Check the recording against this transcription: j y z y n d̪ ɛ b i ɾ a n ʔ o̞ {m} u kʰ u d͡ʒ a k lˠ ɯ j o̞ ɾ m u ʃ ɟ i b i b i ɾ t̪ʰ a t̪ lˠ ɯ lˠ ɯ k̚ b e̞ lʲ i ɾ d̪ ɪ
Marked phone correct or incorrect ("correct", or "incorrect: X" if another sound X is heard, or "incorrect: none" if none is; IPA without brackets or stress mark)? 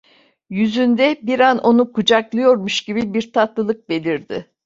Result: incorrect: n